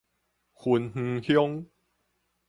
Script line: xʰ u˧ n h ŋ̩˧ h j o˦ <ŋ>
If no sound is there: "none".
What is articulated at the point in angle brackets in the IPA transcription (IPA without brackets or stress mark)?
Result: ŋ